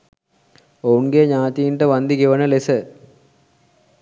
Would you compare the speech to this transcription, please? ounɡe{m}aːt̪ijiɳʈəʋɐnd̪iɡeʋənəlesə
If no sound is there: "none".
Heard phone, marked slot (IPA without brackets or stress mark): ɲ